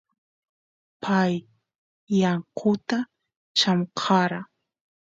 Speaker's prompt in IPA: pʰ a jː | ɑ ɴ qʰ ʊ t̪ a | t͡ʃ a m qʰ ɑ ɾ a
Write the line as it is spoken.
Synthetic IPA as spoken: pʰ a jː | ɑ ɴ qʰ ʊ t̪ a | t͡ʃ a m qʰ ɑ ɾ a